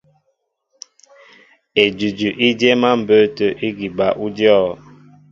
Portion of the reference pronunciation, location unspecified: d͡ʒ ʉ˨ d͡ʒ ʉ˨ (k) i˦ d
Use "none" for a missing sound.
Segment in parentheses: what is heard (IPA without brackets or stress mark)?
ʔ